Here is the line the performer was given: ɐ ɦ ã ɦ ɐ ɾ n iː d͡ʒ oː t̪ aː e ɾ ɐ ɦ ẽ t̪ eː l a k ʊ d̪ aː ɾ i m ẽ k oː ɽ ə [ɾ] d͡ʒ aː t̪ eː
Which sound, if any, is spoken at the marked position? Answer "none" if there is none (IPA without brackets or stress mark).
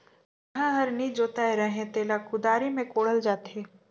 l